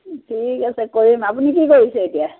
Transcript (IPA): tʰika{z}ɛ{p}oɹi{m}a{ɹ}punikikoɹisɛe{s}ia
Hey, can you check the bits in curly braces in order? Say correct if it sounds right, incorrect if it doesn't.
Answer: incorrect: s, incorrect: k, correct, incorrect: none, incorrect: t

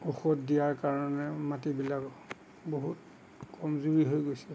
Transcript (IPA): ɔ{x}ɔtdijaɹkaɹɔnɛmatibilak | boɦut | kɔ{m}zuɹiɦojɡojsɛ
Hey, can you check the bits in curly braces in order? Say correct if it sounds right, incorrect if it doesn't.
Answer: correct, correct

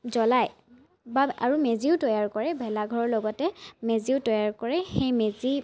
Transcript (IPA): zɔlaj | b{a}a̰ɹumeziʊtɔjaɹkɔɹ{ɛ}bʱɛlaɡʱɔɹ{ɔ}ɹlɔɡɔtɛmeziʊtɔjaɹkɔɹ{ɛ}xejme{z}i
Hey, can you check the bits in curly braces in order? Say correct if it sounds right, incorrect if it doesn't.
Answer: correct, correct, correct, correct, correct

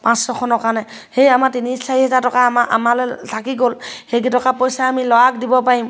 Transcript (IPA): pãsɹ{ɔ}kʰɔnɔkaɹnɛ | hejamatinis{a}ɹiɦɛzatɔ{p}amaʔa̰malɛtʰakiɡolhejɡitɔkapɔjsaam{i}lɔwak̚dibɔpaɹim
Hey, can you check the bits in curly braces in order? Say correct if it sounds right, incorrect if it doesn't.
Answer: correct, correct, incorrect: k, correct

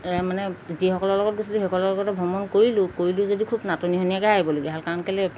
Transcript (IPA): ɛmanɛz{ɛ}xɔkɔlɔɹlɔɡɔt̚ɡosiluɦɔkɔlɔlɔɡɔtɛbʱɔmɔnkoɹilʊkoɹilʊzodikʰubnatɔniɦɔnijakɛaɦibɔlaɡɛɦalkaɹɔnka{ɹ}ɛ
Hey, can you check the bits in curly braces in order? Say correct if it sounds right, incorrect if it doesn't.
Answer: incorrect: i, incorrect: l

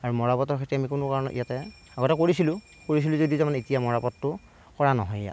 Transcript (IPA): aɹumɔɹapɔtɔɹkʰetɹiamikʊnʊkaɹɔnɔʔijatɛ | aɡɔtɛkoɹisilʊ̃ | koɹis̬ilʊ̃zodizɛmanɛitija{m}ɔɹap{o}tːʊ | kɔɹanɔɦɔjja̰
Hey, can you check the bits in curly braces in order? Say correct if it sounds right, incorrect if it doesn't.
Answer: correct, incorrect: ɔ

